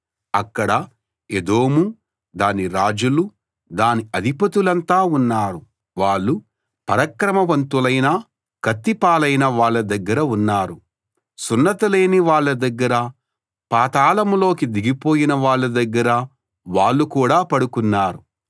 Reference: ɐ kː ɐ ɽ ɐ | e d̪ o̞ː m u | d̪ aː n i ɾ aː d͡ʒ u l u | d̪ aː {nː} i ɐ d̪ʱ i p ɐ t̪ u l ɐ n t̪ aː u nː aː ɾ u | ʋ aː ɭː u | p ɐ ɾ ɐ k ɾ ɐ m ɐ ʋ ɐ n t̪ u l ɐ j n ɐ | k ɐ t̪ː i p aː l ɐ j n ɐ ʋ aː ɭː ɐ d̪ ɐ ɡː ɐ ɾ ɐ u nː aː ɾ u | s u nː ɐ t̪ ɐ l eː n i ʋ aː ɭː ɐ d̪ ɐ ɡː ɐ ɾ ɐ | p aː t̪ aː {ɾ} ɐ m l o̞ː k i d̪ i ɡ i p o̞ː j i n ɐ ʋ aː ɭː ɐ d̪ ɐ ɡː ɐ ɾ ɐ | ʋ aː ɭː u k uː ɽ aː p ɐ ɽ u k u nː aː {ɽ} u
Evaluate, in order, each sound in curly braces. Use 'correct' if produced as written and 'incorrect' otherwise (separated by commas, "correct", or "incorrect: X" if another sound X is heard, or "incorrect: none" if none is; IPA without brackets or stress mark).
incorrect: n, incorrect: l, incorrect: ɾ